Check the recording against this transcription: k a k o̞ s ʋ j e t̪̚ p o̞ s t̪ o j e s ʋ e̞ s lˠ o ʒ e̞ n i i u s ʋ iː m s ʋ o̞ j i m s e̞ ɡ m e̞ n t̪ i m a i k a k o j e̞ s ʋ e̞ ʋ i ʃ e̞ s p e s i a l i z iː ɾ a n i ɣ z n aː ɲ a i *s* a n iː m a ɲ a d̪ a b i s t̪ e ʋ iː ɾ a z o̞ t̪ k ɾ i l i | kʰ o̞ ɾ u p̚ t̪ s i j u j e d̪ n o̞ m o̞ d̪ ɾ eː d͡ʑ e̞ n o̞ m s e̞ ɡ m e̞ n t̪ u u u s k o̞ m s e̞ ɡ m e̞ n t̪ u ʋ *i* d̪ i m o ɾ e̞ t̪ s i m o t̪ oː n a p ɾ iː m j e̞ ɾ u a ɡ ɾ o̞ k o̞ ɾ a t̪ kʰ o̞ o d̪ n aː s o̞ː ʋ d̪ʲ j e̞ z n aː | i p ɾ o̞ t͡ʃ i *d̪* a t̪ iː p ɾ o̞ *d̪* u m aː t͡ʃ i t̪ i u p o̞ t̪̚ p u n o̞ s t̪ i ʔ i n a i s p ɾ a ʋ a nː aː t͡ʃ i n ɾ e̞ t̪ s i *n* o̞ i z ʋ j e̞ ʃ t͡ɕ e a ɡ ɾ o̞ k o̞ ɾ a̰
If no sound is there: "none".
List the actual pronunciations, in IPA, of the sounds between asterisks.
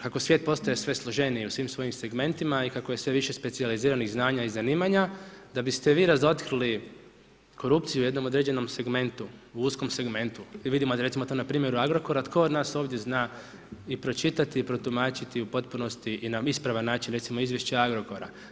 z, i, t̪, t̪, m

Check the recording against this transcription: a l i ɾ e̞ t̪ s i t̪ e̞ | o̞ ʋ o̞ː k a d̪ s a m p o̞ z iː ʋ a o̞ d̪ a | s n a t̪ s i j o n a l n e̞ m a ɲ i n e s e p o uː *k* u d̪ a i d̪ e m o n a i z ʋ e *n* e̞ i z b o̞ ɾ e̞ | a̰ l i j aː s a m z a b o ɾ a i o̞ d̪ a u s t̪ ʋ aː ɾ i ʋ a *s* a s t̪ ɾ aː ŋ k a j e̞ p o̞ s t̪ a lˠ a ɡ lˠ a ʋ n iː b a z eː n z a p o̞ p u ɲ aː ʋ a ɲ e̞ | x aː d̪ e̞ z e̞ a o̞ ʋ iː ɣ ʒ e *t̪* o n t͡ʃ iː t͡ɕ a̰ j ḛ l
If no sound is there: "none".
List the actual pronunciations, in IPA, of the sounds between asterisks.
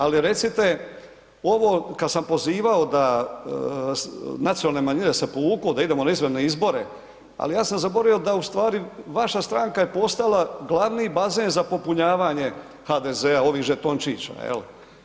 k, n, ʃ, t̪

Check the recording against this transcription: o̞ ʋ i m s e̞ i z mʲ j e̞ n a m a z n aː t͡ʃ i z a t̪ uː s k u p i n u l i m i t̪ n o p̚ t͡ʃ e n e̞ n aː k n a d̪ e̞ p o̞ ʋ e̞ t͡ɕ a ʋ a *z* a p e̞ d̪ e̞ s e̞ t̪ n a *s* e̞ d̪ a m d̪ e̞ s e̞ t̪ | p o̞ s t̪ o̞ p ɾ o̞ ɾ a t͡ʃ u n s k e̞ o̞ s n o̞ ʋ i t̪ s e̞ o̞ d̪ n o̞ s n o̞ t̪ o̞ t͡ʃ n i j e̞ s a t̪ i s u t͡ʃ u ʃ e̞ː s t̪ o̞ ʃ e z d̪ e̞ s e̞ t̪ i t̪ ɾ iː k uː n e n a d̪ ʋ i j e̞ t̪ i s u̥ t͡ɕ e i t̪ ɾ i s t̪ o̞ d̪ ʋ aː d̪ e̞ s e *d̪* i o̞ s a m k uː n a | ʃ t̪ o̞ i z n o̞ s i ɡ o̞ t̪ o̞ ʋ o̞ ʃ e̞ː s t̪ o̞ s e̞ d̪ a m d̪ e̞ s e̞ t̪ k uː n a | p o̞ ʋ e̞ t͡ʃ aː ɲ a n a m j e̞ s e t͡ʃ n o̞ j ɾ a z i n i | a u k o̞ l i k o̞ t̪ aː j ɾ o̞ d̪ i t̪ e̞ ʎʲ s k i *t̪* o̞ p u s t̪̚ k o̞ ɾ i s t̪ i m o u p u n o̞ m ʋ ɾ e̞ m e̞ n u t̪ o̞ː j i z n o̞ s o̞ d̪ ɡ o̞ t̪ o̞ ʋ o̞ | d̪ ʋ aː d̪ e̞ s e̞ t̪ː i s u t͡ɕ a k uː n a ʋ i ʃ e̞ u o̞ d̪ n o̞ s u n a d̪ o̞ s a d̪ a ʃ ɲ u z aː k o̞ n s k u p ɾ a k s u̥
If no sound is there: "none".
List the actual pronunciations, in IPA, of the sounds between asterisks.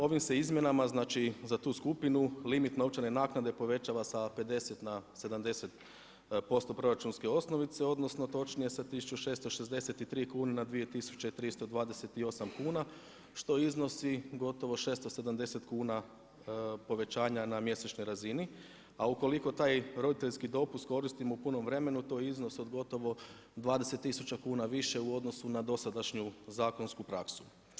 s, s, t̪, d̪

